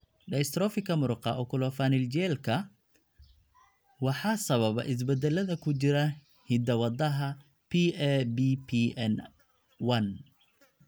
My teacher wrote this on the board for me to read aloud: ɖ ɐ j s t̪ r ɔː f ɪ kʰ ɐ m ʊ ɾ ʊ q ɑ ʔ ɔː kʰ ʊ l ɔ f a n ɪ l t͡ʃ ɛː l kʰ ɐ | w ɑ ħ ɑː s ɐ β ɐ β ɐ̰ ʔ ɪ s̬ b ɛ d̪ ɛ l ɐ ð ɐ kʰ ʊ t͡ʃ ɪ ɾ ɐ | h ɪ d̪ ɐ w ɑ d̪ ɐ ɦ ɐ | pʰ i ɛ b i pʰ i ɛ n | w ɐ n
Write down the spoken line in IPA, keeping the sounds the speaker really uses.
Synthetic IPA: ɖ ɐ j s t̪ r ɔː f ɪ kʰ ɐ m ʊ ɾ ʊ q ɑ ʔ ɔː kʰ ʊ l ɔ f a n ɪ l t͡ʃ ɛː l kʰ ɐ | w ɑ ħ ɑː s ɐ β ɐ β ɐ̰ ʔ ɪ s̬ b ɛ d̪ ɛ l ɐ ð ɐ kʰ ʊ t͡ʃ ɪ ɾ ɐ | h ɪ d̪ ɐ w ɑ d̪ ɐ ɦ ɐ | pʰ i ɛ b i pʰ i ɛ n | w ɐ n